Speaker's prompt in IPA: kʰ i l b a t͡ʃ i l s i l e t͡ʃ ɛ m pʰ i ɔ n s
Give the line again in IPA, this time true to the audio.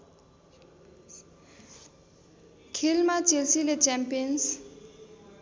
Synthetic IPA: kʰ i l m a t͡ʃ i l s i l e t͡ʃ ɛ m p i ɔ n s